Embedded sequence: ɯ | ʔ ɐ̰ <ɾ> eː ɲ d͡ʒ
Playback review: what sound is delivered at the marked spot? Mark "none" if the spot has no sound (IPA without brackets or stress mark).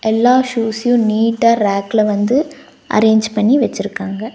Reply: ɾ